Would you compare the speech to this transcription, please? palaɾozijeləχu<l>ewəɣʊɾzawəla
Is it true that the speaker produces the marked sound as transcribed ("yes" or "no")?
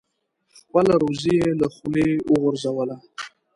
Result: yes